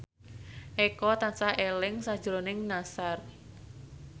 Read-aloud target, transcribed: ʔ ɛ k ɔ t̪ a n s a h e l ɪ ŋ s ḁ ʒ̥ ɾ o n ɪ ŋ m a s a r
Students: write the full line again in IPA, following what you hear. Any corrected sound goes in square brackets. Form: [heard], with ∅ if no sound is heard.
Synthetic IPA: ʔ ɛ k ɔ t̪ a n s a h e l ɪ ŋ s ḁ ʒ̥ ɾ o n ɪ ŋ [n] a s a r